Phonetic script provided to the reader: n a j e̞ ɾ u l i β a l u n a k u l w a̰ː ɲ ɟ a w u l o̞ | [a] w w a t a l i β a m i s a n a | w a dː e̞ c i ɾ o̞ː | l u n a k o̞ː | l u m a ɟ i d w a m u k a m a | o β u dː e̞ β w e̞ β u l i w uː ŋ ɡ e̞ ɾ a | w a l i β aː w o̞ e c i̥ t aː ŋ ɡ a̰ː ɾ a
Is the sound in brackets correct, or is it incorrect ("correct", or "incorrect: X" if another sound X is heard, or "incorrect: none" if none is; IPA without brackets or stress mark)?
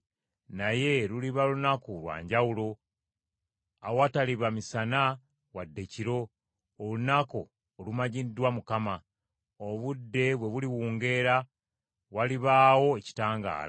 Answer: correct